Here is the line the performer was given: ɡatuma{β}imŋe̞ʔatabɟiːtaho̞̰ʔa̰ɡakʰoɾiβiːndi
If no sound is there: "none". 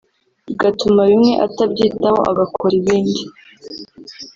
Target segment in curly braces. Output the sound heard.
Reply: β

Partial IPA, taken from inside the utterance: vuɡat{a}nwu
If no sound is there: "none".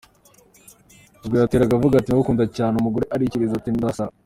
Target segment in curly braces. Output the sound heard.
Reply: i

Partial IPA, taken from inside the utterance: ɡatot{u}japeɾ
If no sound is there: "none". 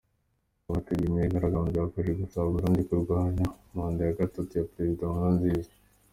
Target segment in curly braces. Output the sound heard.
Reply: u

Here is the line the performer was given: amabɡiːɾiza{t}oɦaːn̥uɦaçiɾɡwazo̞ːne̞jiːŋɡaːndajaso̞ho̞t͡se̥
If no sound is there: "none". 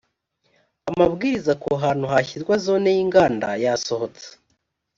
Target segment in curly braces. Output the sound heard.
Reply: k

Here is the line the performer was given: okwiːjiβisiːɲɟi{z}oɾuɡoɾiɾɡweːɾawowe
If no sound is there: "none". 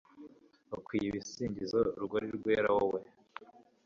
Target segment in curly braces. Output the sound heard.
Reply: z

